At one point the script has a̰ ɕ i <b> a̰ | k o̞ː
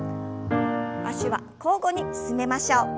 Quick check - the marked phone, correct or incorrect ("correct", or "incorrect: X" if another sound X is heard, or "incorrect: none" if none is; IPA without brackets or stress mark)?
incorrect: β